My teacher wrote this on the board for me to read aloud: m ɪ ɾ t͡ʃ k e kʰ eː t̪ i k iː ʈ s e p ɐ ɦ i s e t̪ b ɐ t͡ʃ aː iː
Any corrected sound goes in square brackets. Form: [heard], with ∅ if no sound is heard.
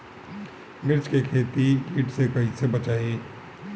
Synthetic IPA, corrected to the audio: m ɪ ɾ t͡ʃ k e kʰ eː t̪ i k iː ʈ s e [k] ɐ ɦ i s e [∅] b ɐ t͡ʃ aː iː